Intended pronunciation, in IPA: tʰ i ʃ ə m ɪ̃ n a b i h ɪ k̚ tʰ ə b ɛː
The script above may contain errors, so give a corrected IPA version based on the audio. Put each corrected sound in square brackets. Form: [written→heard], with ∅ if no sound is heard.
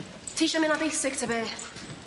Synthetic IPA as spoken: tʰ i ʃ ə m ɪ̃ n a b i [h→s] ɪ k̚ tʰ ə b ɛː